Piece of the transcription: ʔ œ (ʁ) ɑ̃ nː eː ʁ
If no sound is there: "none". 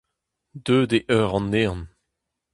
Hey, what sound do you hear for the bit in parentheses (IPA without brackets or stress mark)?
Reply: ʁ